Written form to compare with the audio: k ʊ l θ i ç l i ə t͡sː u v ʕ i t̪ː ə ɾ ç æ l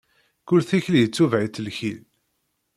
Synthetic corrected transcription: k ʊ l θ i ç l j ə t͡sː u v ʕ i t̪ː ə l ç i l